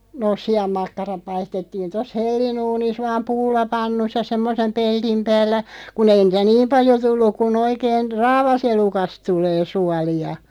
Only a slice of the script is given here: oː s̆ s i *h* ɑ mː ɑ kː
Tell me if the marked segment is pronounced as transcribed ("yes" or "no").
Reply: no